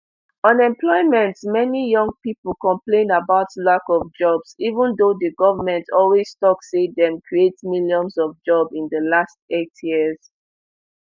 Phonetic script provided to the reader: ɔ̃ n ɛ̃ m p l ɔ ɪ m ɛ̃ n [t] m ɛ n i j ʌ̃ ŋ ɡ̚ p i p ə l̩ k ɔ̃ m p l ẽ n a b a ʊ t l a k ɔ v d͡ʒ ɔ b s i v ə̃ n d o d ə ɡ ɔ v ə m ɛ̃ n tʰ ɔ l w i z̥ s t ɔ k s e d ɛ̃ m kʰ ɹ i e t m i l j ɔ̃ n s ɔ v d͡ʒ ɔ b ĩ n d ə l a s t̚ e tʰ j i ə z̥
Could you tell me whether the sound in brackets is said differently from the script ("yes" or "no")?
no